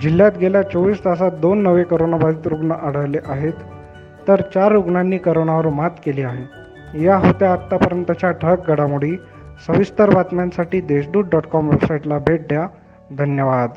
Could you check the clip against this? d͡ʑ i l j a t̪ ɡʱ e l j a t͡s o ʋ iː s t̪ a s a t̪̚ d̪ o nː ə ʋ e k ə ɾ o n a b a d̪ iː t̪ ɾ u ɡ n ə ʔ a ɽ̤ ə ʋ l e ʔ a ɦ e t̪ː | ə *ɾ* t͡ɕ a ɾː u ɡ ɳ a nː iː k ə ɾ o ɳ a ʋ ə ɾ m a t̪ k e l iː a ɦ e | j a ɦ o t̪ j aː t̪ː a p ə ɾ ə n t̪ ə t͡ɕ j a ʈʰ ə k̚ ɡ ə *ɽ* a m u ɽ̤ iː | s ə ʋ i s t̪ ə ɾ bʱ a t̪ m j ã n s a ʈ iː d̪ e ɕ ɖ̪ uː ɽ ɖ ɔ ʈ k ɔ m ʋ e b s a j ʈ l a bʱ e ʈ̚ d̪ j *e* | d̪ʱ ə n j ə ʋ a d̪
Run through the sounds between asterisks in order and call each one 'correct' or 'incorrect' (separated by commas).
correct, correct, incorrect